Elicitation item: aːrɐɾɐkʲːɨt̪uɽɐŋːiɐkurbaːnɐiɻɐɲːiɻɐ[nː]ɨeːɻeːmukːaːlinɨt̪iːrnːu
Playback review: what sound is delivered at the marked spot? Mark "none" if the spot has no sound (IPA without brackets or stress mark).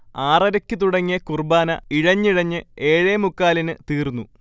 ɲː